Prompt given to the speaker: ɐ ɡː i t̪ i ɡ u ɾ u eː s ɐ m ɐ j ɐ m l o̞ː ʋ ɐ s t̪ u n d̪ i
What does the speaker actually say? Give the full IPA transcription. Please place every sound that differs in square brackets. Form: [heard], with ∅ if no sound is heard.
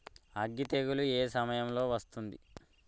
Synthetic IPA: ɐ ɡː i t̪ [e] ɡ u [l] u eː s ɐ m ɐ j ɐ m l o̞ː ʋ ɐ s t̪ u n d̪ i